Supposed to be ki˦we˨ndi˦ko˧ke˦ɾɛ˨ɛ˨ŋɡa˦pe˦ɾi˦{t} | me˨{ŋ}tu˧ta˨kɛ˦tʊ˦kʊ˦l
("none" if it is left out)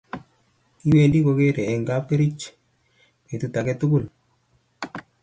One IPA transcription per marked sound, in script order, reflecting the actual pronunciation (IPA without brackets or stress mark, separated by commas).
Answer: t͡ʃ, none